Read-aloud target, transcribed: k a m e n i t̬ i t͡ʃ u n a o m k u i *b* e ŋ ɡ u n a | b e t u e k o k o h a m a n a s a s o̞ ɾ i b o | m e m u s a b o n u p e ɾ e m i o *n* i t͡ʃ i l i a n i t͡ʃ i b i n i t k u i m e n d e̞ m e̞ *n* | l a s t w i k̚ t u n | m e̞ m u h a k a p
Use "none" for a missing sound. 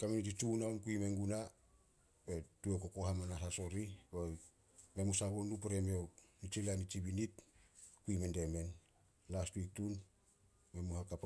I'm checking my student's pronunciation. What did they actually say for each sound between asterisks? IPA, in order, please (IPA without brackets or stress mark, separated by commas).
m, n, n